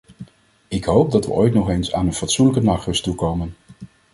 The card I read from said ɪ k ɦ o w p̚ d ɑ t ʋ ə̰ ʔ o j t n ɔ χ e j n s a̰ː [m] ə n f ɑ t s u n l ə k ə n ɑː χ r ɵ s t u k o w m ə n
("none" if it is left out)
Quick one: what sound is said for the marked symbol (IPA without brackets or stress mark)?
n